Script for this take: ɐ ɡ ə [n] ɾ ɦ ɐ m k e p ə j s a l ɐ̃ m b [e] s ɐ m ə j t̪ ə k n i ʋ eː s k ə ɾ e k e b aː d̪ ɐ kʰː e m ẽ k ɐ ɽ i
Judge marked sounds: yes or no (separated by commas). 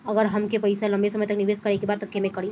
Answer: no, yes